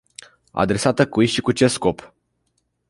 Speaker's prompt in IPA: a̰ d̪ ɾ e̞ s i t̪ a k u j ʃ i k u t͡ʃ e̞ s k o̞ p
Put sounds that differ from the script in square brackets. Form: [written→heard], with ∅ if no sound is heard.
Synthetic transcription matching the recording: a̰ d̪ ɾ e̞ s [i→a] t̪ [a→ə] k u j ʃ i k u t͡ʃ e̞ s k o̞ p